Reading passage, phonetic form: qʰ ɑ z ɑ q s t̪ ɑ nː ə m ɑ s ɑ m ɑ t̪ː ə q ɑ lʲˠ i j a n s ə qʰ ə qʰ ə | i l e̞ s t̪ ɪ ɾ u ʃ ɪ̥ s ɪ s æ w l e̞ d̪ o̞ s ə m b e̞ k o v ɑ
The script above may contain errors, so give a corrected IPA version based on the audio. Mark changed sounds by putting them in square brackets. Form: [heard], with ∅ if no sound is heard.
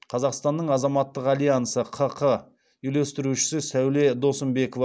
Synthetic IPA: qʰ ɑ z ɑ q s t̪ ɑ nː ə [ɴ] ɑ [z] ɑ m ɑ t̪ː ə q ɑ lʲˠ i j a n s ə qʰ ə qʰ ə | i l e̞ s t̪ ɪ ɾ u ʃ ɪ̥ s ɪ s æ w l e̞ d̪ o̞ s ə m b e̞ k o v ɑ